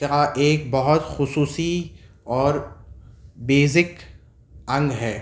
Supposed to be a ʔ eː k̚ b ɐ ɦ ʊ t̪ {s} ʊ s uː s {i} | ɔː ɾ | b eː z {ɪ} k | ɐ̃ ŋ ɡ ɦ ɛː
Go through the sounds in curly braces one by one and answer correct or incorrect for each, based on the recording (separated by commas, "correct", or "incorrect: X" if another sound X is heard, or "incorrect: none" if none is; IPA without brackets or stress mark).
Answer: incorrect: x, correct, correct